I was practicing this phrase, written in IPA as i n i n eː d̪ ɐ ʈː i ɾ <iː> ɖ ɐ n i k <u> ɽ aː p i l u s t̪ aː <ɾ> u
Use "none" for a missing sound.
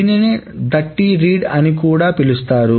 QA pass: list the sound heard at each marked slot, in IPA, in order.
iː, uː, ɾ

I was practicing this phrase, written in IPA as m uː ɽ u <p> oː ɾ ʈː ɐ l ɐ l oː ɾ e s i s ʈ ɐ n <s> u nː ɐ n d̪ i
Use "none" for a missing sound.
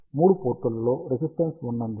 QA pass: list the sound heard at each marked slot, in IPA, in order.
p, s

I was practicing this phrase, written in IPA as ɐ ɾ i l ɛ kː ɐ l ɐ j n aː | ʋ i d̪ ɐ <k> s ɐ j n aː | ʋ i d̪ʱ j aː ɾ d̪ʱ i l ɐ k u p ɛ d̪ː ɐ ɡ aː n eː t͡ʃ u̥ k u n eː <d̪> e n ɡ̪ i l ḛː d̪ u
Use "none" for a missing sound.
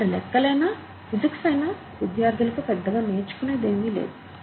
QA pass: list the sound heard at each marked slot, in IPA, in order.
k, d̪

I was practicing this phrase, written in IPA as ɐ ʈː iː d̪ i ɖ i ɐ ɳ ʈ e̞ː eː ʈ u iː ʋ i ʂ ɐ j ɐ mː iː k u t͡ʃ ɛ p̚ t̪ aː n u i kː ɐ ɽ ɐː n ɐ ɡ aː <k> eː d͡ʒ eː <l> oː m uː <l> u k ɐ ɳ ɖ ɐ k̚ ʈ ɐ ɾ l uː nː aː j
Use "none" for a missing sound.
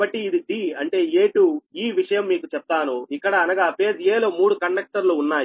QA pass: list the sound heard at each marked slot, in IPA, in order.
p, l, ɽ

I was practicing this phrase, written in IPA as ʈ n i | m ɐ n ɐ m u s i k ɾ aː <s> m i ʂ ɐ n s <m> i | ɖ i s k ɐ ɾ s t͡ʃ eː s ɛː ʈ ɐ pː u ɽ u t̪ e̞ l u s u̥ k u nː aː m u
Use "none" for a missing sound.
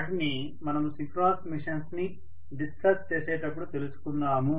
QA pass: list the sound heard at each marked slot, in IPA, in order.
s, n

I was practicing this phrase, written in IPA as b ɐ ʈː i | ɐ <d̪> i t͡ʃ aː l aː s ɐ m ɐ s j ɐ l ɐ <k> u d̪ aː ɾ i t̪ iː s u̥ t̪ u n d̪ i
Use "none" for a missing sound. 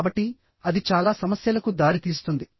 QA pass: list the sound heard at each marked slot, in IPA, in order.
d̪, k

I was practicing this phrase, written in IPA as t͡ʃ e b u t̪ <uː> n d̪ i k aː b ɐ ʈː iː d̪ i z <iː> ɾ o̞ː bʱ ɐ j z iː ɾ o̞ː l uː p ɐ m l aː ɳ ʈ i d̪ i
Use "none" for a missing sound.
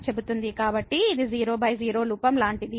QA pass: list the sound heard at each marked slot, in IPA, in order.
u, iː

